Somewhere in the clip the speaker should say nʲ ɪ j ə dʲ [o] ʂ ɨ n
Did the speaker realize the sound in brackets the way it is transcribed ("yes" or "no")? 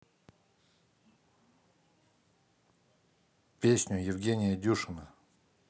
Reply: no